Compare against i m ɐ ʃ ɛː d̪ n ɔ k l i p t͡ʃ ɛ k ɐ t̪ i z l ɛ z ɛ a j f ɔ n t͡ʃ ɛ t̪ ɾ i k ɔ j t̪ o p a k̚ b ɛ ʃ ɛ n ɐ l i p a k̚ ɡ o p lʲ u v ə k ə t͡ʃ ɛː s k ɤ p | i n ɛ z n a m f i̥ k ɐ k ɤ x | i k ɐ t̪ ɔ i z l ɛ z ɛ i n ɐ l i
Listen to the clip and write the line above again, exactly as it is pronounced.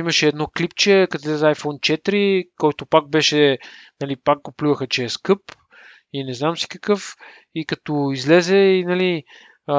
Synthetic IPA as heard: i m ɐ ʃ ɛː d̪ n ɔ k l i p t͡ʃ ɛ k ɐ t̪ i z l ɛ z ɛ a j f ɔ n t͡ʃ ɛ t̪ ɾ i k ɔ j t̪ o p a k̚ b ɛ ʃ ɛ n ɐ l i p a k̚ ɡ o p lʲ u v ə x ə t͡ʃ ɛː s k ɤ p | i n ɛ z n a m s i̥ k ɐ k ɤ f | i k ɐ t̪ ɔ i z l ɛ z ɛ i n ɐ l i